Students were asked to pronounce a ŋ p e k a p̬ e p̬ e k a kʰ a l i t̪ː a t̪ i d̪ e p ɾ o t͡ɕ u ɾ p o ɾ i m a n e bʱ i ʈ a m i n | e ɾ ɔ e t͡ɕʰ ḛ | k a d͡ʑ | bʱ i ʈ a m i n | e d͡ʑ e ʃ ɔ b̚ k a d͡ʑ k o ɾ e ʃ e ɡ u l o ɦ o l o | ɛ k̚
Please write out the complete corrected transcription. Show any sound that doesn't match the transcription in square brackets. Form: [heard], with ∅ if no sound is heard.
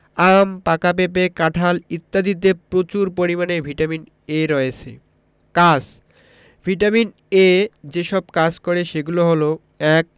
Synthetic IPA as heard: a [m] p [a] k a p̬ e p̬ e k a [ʈʰ] a l i t̪ː a [d̪] i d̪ e p ɾ o t͡ɕ u ɾ p o ɾ i m a n e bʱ i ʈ a m i n | e ɾ ɔ e t͡ɕʰ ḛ | k a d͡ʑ | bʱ i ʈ a m i n | e d͡ʑ e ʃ ɔ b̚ k a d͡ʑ k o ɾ e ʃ e ɡ u l o ɦ o l o | ɛ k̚